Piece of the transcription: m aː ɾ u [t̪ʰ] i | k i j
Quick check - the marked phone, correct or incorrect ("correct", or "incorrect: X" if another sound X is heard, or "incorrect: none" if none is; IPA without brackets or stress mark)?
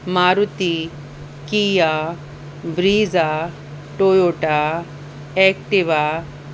incorrect: t̪